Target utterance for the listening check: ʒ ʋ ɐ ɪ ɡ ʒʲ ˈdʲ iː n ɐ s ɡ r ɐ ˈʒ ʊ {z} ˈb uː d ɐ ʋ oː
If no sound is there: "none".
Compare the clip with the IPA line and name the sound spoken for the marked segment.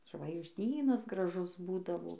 s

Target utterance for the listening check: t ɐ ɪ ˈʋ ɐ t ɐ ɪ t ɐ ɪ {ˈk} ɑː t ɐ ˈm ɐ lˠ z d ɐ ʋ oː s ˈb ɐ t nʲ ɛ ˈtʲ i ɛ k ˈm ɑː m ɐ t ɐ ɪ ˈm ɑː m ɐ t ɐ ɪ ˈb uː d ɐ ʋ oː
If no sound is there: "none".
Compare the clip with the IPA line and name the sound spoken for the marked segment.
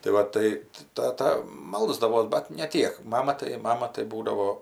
t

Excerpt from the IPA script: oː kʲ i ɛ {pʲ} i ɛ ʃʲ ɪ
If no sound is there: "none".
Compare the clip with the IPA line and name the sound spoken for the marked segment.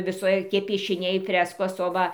pʲ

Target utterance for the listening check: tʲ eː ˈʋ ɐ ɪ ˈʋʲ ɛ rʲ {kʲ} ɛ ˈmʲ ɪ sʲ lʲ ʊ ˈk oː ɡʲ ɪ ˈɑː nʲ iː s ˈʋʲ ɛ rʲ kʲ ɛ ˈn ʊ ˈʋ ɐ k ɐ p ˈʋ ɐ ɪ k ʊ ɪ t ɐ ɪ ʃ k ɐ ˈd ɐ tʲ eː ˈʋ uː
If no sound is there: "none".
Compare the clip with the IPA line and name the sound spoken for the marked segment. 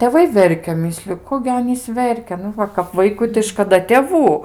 kʲ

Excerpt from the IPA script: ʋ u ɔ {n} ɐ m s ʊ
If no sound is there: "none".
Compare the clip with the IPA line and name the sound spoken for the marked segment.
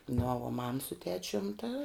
m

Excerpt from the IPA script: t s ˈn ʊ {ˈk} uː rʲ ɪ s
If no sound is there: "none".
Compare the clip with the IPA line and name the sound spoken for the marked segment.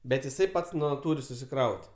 t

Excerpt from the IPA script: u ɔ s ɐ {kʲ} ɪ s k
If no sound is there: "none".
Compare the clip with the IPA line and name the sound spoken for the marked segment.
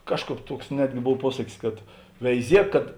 kʲ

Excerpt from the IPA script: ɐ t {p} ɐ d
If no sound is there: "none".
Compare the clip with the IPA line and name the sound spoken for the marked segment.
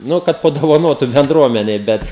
p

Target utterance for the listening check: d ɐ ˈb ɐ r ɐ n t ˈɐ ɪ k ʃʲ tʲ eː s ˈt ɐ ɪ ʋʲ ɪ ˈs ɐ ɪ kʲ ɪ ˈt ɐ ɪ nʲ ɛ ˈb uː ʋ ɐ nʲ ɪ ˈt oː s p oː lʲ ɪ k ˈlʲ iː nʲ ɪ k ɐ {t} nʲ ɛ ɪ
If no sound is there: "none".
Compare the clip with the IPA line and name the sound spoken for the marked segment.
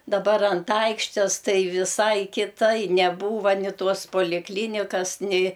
s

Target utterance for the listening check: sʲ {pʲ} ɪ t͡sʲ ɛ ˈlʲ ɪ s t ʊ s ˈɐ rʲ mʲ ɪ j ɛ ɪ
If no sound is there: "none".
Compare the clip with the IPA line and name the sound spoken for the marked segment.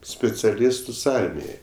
pʲ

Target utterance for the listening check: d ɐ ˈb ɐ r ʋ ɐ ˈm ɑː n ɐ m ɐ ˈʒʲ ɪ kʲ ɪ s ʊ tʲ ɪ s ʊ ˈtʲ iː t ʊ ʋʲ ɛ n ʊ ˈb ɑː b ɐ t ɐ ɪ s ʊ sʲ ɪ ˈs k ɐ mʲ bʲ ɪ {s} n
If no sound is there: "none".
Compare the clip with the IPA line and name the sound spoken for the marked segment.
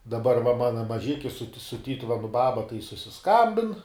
none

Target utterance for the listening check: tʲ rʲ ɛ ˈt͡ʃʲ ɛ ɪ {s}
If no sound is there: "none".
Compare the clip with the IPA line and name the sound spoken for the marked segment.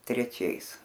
s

